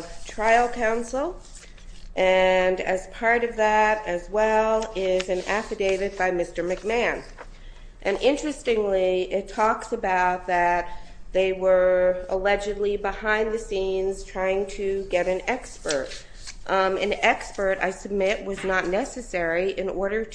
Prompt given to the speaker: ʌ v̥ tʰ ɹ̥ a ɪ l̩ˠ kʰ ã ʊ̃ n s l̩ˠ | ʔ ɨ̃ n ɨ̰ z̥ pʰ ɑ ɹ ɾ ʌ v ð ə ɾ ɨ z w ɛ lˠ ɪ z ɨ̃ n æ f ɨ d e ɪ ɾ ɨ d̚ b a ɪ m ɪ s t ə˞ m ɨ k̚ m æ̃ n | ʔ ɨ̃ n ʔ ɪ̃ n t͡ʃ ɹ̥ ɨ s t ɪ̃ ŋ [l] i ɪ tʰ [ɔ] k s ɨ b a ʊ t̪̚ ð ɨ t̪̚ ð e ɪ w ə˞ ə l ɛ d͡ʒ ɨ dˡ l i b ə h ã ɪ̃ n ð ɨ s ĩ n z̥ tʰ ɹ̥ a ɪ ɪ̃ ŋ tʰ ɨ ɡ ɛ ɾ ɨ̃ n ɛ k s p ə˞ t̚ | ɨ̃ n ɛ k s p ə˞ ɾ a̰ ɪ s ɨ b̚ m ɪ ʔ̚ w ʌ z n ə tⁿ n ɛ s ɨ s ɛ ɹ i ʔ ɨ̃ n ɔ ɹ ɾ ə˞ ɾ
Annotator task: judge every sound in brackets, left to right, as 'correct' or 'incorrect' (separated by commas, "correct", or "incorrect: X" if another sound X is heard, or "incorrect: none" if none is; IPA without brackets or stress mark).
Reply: correct, correct